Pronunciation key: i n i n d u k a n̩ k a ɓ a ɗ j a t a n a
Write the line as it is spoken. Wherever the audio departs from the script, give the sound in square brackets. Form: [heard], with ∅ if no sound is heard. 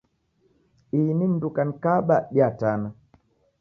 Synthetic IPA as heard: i n i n d u k a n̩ k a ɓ a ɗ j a t a n a